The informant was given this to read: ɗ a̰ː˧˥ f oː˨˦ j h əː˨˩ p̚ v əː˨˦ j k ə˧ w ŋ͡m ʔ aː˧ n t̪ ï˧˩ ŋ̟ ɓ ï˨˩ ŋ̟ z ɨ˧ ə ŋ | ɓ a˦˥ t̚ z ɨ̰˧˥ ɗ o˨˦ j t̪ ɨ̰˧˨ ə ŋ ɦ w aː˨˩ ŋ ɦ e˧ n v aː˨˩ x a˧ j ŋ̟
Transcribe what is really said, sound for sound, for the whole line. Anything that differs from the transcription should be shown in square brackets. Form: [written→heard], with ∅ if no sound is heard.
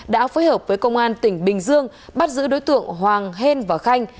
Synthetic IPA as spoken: ɗ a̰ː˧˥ f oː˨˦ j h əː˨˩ p̚ v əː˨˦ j k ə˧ w ŋ͡m ʔ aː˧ n t̪ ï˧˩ ŋ̟ ɓ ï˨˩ ŋ̟ z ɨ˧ ə ŋ | ɓ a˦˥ t̚ z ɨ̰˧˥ ɗ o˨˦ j t̪ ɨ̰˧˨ ə ŋ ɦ w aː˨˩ ŋ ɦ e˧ n v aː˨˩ x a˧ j ŋ̟